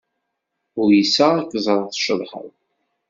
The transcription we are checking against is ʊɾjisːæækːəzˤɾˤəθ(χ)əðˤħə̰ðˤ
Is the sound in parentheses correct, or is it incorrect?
incorrect